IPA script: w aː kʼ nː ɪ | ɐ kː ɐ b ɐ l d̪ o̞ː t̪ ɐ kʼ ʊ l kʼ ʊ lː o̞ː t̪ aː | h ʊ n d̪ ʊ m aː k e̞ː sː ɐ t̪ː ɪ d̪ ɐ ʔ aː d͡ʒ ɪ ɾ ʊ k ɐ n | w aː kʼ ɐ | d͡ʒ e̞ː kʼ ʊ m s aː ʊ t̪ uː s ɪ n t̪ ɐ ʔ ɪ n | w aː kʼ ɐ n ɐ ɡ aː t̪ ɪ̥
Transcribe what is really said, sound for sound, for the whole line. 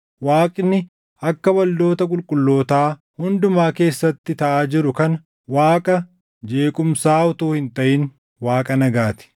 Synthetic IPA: w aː kʼ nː ɪ | ɐ kː ɐ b ɐ l d̪ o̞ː t̪ ɐ kʼ ʊ l kʼ ʊ lː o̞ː t̪ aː | h ʊ n d̪ ʊ m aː k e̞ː sː ɐ t̪ː ɪ t̪ ɐ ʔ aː d͡ʒ ɪ ɾ ʊ k ɐ n | w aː kʼ ɐ | d͡ʒ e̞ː kʼ ʊ m s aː ʊ t̪ uː h ɪ n t̪ ɐ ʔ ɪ n | w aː kʼ ɐ n ɐ ɡ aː t̪ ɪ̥